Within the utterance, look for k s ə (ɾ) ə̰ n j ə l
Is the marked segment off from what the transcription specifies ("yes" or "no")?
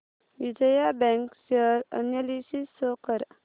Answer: no